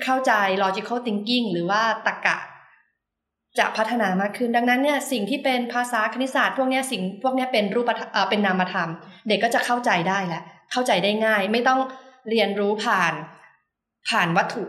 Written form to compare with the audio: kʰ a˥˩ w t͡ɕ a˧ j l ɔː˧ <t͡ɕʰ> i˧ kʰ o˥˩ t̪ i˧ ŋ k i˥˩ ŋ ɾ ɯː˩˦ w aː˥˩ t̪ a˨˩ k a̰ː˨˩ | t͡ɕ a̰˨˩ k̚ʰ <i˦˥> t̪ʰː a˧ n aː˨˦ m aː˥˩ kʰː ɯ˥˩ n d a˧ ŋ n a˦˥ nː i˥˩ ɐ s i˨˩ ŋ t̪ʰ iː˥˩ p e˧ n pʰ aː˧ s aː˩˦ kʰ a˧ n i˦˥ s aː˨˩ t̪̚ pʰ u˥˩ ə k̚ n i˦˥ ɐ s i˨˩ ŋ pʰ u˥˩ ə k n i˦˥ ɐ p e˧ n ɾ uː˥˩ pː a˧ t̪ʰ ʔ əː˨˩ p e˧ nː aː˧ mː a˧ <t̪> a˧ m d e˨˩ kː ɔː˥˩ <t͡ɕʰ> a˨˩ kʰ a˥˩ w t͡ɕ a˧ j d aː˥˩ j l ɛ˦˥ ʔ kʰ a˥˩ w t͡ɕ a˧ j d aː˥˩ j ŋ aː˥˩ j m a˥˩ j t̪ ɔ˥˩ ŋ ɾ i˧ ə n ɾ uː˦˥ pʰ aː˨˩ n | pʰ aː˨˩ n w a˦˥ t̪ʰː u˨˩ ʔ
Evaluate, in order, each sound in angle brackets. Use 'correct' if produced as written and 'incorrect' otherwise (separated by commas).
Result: incorrect, incorrect, incorrect, incorrect